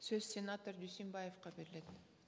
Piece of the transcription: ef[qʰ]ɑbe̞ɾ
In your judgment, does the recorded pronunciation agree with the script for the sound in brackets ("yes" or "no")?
no